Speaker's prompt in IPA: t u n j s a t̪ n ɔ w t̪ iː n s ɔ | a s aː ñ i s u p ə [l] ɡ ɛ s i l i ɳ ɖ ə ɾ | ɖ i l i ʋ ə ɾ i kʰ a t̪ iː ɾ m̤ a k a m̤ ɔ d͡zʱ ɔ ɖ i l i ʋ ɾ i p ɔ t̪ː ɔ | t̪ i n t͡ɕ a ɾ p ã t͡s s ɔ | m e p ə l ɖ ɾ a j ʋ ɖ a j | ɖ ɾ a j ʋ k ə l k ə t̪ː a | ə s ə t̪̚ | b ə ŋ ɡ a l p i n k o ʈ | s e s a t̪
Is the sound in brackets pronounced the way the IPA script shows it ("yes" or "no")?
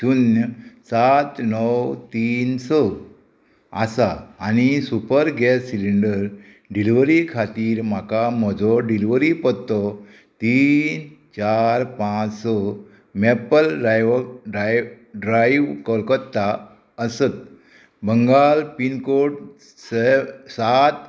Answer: no